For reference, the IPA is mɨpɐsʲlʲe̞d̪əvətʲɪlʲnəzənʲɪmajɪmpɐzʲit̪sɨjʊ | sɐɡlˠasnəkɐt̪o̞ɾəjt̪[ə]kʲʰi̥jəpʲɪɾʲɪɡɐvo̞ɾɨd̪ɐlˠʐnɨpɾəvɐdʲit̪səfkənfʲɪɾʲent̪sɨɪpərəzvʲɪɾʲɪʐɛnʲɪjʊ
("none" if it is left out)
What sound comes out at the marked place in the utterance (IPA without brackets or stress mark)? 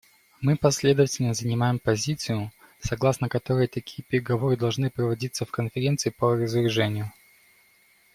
ɐ